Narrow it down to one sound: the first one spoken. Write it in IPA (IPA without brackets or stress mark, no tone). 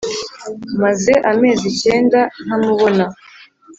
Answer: m